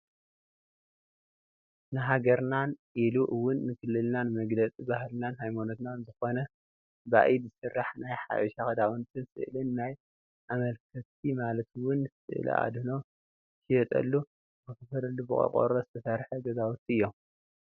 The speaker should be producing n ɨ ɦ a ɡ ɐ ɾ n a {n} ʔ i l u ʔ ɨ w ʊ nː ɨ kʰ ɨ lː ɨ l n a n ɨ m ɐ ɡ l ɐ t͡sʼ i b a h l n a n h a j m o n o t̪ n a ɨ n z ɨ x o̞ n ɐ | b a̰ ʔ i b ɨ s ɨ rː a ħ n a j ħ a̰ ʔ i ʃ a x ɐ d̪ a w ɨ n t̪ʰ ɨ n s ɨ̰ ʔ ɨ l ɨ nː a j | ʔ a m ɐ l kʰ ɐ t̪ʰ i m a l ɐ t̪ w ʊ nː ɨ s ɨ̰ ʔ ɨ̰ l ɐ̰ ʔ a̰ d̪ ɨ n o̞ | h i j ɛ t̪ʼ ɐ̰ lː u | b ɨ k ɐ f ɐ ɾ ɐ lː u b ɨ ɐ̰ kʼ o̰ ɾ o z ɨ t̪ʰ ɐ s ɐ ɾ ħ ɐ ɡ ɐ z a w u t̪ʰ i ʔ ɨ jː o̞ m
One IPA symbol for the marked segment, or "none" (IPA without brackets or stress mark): n